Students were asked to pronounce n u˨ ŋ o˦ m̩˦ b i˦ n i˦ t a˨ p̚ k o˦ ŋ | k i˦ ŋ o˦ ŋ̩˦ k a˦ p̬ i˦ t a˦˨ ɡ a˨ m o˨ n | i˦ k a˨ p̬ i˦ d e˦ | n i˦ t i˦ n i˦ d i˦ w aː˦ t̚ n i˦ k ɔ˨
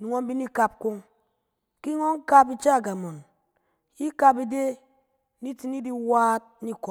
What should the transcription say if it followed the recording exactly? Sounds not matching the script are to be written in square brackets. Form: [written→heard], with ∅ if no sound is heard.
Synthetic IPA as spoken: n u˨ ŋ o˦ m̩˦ b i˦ n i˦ [t→k] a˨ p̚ k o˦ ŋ | k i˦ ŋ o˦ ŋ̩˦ k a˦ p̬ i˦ [t→t͡ʃ] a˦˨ ɡ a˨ m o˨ n | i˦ k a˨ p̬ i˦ d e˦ | n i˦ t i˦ n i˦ d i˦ w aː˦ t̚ n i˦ k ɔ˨